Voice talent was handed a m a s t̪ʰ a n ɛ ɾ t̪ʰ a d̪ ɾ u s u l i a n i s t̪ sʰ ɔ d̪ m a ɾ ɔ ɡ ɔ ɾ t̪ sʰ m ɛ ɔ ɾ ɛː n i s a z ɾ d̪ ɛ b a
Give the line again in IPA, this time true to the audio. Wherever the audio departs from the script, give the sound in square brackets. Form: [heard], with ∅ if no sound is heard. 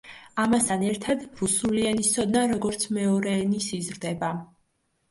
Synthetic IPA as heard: a m a s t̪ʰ a n ɛ ɾ t̪ʰ a d̪ ɾ u s u l i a n i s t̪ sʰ ɔ d̪ [n] a ɾ ɔ ɡ ɔ ɾ t̪ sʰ m ɛ ɔ ɾ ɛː n i s [i] z ɾ d̪ ɛ b a